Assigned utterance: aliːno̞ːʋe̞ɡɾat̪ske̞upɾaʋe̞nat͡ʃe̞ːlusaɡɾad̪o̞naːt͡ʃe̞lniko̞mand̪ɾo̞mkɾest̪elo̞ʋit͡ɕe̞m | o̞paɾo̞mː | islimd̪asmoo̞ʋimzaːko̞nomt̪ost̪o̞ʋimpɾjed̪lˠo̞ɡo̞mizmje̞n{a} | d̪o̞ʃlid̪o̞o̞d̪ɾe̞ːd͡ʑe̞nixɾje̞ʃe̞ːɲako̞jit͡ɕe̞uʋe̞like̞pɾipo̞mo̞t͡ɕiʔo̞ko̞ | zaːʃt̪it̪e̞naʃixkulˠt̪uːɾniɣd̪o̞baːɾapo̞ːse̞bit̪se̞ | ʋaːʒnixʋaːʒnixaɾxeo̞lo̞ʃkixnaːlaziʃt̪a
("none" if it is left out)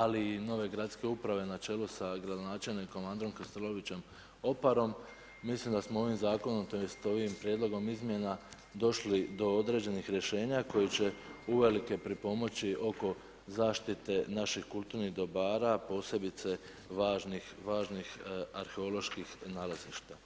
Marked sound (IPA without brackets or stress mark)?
a